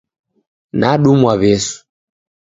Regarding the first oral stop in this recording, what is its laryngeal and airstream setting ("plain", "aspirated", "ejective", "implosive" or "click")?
implosive